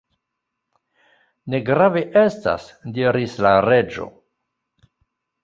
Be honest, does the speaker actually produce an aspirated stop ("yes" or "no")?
no